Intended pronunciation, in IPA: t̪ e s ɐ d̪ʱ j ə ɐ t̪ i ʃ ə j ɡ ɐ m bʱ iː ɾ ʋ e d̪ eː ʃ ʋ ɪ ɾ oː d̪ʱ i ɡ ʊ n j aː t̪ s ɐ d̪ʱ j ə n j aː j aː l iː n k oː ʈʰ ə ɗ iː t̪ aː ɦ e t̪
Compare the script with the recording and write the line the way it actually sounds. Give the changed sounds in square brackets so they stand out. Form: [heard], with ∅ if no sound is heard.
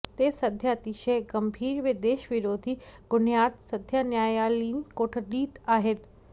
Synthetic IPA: t̪ e s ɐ d̪ʱ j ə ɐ t̪ i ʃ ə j ɡ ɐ m bʱ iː ɾ ʋ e d̪ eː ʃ ʋ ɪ ɾ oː d̪ʱ i ɡ ʊ n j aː t̪ s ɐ d̪ʱ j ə n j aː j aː l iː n k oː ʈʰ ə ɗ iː t̪ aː ɦ e t̪